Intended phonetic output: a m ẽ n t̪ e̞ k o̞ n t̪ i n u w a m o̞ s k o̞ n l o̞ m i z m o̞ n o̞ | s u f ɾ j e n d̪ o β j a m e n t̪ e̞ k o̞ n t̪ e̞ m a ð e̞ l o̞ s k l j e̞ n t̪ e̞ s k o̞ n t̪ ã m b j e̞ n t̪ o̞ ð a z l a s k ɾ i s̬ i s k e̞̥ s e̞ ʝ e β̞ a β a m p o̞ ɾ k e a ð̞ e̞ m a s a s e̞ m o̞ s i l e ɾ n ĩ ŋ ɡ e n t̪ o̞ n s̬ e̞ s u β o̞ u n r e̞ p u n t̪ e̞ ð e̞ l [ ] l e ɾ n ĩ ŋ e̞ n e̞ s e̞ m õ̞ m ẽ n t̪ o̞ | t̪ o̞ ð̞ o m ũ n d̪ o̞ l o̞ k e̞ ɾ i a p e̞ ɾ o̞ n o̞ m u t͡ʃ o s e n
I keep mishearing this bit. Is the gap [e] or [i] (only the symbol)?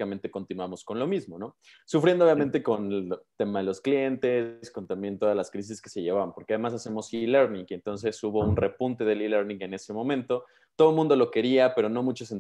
i